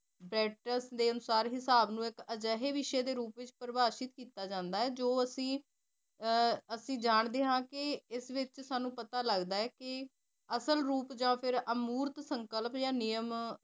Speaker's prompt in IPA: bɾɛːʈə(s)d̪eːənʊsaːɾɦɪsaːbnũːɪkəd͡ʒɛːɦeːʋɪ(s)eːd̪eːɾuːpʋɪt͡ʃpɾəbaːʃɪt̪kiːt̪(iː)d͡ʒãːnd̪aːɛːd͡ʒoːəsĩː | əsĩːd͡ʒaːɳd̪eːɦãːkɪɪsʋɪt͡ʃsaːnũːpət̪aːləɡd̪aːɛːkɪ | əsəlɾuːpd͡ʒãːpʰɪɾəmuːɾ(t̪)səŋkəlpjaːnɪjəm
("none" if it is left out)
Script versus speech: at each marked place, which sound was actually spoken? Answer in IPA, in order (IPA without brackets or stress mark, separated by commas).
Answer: s, ʃ, aː, t̪